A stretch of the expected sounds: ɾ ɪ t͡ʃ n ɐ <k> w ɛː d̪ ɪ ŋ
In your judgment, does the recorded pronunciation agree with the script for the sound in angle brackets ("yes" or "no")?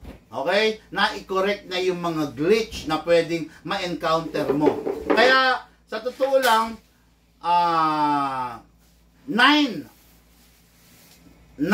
no